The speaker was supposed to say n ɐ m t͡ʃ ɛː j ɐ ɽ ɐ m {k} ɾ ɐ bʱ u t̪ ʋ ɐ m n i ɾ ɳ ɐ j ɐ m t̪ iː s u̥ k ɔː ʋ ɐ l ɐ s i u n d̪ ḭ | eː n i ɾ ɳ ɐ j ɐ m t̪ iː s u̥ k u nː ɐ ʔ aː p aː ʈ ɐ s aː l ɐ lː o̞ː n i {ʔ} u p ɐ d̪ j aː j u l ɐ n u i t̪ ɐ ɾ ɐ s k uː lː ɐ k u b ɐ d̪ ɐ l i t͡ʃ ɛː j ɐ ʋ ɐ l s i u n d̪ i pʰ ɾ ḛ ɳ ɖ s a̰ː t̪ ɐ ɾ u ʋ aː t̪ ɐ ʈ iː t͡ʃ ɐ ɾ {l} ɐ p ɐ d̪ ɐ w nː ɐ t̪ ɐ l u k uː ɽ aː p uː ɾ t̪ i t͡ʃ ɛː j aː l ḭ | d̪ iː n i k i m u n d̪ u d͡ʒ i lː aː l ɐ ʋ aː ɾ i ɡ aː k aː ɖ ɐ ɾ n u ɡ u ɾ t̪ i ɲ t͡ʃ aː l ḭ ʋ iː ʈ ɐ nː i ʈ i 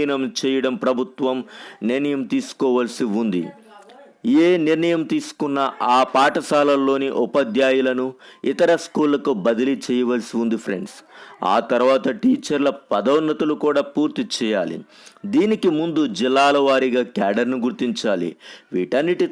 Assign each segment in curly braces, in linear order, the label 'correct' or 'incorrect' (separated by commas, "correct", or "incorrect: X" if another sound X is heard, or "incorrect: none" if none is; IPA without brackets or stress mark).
incorrect: p, correct, correct